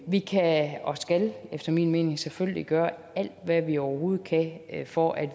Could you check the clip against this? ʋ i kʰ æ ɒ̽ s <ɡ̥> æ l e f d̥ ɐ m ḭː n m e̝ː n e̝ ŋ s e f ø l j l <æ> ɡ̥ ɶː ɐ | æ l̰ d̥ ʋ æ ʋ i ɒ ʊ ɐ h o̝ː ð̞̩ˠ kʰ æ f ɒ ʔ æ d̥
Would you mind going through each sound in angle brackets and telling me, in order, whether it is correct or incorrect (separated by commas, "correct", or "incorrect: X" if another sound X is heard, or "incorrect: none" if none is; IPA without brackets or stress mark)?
correct, incorrect: i